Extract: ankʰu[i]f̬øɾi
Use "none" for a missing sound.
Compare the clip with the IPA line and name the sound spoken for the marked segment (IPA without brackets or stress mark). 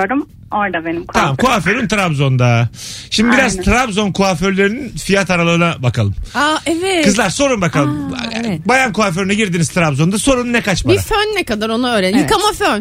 a